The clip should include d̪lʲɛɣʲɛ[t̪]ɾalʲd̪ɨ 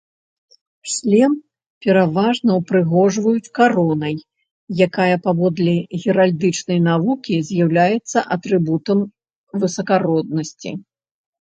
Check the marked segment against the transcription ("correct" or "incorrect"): incorrect